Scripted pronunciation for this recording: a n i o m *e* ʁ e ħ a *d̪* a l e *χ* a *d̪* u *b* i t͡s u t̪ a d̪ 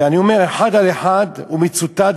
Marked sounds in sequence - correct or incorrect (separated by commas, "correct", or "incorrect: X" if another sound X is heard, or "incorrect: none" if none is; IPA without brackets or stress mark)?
correct, correct, incorrect: ħ, correct, incorrect: m